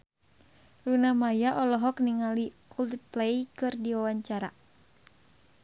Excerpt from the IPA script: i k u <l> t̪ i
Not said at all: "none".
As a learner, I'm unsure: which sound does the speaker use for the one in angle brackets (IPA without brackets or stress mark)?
l